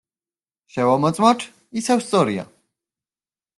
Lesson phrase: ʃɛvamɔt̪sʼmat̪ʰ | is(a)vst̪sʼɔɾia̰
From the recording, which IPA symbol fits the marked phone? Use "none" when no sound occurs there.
ɛ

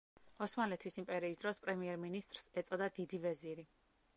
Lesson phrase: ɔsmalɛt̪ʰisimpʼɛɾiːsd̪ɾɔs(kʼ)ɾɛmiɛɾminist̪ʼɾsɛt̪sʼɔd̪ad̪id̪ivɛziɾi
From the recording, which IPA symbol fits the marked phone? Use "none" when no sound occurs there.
pʼ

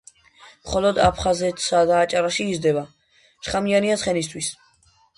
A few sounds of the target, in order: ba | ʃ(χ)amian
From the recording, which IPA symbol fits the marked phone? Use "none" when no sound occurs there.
χ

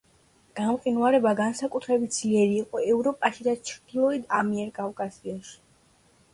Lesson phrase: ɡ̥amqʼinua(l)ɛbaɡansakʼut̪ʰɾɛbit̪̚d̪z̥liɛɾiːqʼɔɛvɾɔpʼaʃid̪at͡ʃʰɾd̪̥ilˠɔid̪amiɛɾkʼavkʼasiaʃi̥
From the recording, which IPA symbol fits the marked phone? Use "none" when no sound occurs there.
ɾ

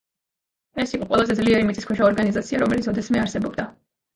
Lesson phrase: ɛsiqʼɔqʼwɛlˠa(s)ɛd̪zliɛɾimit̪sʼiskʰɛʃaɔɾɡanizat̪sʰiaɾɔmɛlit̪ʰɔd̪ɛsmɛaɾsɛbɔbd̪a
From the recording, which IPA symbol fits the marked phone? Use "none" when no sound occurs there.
z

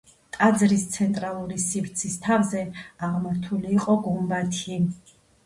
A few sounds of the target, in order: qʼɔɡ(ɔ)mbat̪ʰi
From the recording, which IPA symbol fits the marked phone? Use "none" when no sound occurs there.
u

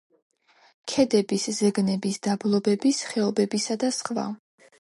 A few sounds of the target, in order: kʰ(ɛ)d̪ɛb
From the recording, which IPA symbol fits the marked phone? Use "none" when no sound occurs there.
ɛ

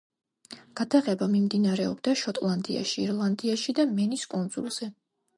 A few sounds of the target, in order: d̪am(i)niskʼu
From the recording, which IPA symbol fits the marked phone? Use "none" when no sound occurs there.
ɛ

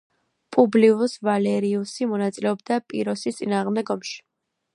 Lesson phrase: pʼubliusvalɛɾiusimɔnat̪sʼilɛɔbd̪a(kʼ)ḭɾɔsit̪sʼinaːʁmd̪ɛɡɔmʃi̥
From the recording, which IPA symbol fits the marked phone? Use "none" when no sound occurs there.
pʼ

